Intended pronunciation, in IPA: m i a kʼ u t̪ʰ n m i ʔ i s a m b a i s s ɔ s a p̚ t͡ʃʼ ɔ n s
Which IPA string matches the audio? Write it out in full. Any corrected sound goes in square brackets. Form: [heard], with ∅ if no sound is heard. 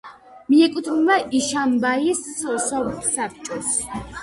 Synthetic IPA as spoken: m i [ɛ] kʼ u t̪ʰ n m [a] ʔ i [ʃ] a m b a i s s ɔ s a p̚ t͡ʃʼ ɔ [∅] s